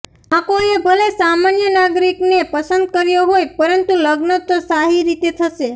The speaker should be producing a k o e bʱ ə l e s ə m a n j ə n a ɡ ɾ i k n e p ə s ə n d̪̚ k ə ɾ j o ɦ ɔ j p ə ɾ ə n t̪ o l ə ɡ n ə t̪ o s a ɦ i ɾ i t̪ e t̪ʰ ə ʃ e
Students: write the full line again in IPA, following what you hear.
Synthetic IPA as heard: a k o e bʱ ə l e s a m a n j ə n a ɡ ɾ i k n e p ə s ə n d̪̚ k ə ɾ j o ɦ o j p ə ɾ ə n t̪ u l ə ɡ n ə t̪ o s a ɦ i ɾ i t̪ e t̪ʰ ə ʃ e